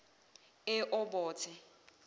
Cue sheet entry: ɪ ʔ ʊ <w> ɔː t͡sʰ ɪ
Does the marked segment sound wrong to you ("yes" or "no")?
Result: yes